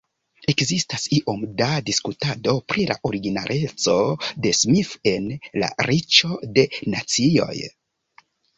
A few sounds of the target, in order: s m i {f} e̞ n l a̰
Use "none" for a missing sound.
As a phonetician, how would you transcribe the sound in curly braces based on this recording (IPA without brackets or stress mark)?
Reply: f